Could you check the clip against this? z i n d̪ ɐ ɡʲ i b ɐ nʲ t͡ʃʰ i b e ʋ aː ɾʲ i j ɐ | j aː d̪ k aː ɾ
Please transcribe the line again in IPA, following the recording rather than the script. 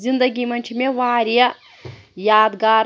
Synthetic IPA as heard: z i n d̪ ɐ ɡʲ i m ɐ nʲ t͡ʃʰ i m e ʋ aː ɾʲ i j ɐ | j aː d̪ ɡ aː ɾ